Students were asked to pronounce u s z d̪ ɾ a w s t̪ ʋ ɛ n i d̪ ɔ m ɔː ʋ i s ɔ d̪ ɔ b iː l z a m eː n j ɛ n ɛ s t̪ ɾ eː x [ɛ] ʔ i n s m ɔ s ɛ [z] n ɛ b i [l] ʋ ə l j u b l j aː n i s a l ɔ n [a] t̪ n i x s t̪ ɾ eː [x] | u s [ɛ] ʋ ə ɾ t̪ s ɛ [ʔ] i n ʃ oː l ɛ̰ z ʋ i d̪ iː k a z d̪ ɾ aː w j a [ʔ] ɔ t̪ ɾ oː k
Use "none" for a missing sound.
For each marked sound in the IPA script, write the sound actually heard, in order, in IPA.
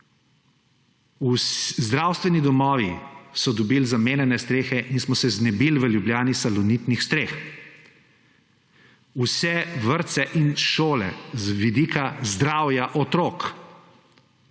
ɛ, z, l, i, x, ɛ, ʔ, ʔ

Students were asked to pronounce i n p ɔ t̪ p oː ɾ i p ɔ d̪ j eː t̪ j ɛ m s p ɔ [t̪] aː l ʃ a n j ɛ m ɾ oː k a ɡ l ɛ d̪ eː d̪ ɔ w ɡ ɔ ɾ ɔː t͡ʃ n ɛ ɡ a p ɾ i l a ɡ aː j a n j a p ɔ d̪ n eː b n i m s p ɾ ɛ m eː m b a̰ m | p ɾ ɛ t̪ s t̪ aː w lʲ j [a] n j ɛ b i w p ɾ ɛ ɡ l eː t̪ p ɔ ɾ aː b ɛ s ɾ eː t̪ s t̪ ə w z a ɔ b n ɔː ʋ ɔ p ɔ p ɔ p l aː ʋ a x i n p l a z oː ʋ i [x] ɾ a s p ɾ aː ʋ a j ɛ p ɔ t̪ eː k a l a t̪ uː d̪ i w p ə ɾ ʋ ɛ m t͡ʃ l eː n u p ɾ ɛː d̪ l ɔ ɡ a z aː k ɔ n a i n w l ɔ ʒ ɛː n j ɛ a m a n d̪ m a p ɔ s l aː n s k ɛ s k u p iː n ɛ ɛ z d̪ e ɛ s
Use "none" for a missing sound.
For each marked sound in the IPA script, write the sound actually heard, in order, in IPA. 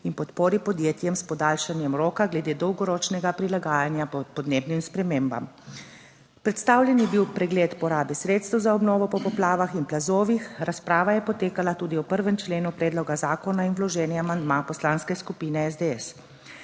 d̪, ɛ, x

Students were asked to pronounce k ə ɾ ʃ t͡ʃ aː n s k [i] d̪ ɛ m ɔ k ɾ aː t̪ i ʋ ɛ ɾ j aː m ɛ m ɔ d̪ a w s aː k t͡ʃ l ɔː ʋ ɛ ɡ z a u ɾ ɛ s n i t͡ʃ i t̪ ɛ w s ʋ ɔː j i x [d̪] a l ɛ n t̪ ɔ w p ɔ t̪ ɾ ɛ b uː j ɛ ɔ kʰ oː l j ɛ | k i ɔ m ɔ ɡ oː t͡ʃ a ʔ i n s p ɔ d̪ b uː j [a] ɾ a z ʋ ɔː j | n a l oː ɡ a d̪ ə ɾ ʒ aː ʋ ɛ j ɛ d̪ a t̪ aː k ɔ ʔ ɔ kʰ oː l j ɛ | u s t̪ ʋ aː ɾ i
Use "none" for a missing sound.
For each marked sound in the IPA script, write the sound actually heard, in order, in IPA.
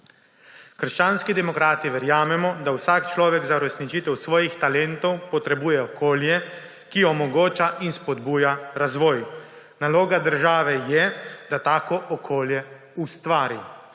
i, t̪, a

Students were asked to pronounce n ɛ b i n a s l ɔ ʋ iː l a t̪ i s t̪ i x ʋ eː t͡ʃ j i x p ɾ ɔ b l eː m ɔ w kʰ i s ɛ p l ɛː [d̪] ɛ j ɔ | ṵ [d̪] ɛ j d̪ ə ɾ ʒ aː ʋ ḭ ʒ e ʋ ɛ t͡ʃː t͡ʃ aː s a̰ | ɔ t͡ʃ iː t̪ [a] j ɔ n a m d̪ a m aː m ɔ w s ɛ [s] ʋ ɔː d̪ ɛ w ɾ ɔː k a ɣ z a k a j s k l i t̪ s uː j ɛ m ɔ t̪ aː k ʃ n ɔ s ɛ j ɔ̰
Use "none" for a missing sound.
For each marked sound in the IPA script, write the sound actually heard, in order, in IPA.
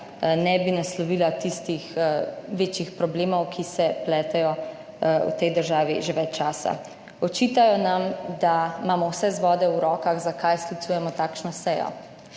t̪, t̪, a, z

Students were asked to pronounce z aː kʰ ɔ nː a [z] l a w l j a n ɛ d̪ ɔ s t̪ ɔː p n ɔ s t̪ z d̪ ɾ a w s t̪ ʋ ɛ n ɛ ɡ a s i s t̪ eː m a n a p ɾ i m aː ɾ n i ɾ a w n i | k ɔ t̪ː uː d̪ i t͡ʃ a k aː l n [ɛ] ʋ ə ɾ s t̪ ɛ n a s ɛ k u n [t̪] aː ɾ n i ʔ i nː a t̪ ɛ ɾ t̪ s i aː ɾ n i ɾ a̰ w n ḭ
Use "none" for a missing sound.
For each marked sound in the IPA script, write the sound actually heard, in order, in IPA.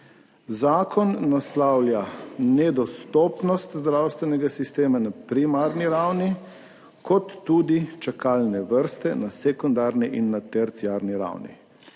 s, ɛ, d̪

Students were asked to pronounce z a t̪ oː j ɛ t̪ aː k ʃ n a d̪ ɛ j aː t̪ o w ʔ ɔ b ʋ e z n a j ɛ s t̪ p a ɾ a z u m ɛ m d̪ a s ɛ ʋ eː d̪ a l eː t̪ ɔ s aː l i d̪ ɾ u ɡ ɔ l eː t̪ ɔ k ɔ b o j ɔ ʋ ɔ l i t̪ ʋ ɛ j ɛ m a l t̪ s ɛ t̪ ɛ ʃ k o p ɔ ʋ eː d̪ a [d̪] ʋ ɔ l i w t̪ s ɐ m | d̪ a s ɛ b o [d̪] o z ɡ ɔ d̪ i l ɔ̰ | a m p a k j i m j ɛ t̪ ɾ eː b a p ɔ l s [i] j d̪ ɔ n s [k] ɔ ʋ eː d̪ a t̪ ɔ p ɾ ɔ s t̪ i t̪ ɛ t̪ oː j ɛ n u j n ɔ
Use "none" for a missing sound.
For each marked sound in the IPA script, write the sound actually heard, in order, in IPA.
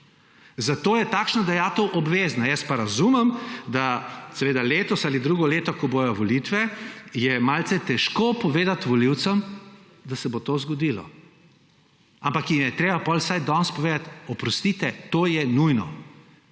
t̪, t̪, a, p

